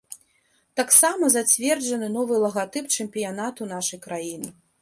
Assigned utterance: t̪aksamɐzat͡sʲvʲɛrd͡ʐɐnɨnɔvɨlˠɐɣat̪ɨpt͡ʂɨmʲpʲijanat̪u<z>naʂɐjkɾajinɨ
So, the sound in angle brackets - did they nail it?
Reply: no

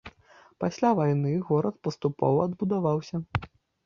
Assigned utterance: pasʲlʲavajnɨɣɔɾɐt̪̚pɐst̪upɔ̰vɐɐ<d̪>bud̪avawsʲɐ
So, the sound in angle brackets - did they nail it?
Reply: yes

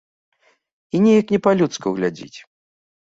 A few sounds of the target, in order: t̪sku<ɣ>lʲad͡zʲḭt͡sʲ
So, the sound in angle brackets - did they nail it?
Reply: yes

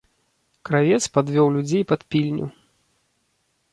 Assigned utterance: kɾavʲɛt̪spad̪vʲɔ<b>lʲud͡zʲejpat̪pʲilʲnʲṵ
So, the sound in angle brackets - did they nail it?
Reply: no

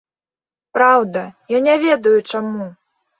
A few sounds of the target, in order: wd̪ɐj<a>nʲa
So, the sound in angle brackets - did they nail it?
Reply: yes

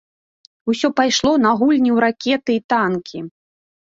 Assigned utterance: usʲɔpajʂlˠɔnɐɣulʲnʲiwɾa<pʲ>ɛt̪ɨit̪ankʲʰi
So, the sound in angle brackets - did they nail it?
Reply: no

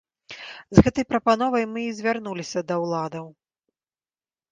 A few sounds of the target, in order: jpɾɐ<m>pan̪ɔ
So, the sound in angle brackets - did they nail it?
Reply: no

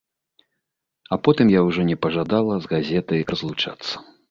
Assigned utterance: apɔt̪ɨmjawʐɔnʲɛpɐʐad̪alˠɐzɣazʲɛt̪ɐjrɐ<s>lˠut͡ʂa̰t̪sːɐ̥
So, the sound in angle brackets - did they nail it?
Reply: no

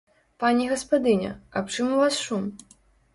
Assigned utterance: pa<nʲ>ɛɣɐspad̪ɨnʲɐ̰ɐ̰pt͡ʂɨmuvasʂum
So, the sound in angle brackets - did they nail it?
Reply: yes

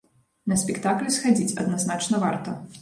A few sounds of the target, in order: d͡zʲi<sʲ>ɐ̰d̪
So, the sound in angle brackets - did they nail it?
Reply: no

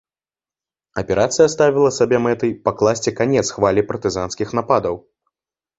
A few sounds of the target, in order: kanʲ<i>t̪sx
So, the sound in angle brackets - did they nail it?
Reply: no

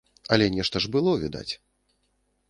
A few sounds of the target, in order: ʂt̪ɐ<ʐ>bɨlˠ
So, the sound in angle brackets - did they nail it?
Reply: yes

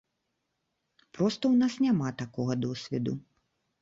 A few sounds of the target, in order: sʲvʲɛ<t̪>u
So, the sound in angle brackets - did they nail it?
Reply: no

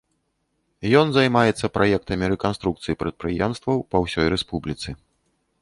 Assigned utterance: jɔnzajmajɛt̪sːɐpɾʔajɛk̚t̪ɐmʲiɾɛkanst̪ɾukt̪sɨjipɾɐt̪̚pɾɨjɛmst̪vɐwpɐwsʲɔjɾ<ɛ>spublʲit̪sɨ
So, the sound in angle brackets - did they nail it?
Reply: yes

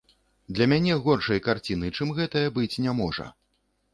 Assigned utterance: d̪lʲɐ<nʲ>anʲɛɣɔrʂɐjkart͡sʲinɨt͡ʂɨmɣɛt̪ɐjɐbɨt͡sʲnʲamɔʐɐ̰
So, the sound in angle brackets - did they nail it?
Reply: no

